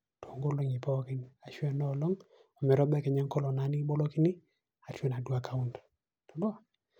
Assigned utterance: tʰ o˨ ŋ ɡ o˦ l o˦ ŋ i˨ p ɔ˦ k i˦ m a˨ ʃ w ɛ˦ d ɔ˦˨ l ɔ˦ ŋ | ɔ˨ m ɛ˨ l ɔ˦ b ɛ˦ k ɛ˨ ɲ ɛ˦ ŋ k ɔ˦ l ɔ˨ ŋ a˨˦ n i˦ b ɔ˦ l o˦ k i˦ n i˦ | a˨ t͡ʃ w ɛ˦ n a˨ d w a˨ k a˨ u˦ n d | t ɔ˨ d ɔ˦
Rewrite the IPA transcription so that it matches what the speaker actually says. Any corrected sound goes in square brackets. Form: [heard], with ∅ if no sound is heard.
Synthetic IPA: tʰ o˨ ŋ ɡ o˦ l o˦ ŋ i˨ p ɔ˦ k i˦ [n] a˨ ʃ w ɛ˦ [n] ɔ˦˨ l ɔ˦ ŋ | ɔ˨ m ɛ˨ [ɾ] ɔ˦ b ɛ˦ k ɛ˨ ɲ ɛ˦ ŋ k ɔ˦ l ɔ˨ [n] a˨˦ n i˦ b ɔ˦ l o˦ k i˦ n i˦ | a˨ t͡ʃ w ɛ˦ n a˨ d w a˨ k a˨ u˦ n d | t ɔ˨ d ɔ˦